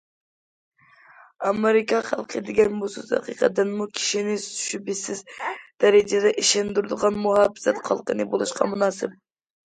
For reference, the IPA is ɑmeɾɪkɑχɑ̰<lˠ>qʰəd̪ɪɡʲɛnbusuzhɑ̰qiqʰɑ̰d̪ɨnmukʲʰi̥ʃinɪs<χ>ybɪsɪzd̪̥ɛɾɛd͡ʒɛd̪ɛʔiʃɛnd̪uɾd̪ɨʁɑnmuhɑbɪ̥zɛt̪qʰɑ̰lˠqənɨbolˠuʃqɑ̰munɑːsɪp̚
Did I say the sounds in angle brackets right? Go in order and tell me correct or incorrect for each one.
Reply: correct, incorrect: ʃ

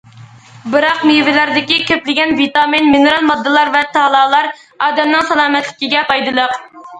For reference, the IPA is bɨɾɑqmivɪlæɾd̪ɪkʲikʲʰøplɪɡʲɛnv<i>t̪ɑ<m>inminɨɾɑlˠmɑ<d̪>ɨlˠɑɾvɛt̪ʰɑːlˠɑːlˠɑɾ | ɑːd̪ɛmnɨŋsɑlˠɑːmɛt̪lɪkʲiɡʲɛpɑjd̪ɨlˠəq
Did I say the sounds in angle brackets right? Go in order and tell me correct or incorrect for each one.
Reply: correct, correct, incorrect: d̪ː

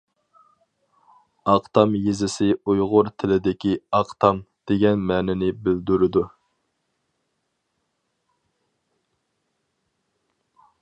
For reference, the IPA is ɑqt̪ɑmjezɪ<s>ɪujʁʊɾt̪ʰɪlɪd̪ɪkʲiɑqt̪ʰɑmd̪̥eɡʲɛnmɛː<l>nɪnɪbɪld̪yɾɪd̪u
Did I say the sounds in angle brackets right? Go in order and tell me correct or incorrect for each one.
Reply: correct, incorrect: none

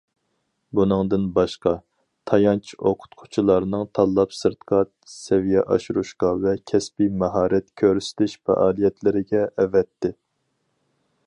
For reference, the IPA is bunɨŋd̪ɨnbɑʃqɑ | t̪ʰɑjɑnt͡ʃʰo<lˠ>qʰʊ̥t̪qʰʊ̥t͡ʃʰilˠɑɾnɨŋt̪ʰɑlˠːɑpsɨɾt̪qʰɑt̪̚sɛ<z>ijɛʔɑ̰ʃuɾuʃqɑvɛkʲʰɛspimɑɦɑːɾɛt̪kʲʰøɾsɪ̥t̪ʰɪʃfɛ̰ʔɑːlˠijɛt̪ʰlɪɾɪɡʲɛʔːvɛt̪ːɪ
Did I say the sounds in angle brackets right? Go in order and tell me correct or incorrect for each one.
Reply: incorrect: none, incorrect: v

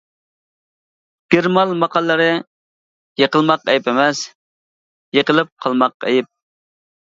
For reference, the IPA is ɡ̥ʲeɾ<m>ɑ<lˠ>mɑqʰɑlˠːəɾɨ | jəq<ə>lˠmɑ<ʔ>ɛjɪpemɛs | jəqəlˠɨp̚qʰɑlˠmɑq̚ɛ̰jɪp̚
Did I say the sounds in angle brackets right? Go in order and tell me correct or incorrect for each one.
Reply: correct, correct, correct, incorrect: q

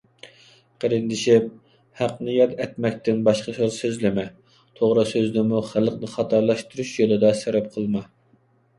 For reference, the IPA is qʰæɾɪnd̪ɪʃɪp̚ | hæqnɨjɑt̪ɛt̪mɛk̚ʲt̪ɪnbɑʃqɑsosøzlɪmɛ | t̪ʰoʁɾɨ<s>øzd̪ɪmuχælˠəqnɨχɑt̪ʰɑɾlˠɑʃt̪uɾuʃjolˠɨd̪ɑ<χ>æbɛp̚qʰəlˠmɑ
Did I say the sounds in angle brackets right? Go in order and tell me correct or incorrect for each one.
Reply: correct, incorrect: s

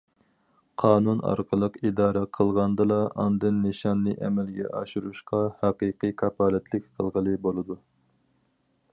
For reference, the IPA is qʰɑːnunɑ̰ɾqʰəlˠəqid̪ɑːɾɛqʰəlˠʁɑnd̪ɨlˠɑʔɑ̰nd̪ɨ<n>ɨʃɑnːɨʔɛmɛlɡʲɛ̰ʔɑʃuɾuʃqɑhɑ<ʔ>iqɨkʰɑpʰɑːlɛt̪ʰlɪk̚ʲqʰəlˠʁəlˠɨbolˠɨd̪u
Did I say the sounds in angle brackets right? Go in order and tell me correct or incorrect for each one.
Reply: incorrect: nː, incorrect: q

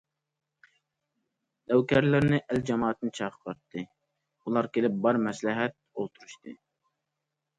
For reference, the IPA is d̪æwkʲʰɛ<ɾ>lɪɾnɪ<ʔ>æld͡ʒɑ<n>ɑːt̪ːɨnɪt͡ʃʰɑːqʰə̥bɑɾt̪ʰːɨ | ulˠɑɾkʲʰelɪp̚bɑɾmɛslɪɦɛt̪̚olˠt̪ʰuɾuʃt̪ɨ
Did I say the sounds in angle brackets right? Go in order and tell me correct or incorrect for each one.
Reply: correct, correct, incorrect: m

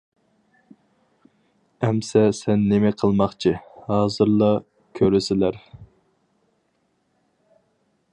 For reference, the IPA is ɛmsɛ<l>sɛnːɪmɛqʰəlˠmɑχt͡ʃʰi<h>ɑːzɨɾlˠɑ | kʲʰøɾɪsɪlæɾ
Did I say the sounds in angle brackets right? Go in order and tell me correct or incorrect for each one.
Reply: incorrect: none, correct

